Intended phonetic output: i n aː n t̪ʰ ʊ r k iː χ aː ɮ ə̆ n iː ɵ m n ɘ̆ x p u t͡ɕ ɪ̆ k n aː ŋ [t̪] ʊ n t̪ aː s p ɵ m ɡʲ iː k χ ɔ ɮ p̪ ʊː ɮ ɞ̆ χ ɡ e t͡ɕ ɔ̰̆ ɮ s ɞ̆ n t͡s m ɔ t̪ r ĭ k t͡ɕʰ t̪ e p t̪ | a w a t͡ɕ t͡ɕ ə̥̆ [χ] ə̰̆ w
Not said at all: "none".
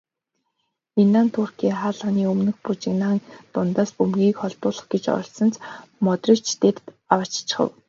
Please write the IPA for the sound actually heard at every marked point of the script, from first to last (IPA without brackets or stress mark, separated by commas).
t̪, χ